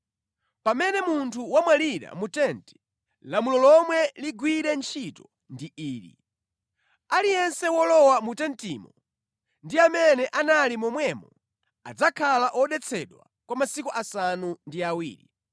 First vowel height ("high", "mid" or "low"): low